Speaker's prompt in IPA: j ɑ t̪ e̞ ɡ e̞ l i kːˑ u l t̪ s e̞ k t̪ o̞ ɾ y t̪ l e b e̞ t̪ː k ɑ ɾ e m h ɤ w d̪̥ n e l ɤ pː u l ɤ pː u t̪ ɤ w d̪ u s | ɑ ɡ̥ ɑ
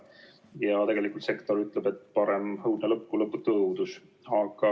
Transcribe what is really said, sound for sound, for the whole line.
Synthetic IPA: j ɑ t̪ e̞ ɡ e̞ l i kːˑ u l t̪ s e̞ k t̪ o̞ ɾ y t̪ l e b e̞ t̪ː p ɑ ɾ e m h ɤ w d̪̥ n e l ɤ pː u l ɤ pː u t̪ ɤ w d̪ u s | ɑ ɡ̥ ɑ